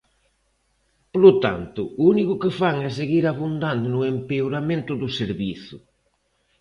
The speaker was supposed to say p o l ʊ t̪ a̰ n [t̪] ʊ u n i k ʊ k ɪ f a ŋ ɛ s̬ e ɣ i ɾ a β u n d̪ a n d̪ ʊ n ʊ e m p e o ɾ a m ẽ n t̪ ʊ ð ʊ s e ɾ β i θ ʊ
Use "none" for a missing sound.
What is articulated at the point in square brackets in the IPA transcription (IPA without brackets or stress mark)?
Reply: t̪